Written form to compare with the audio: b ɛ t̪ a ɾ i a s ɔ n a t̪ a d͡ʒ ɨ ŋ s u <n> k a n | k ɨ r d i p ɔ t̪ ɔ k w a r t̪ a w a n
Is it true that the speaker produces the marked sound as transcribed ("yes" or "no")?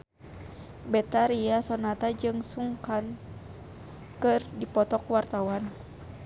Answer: no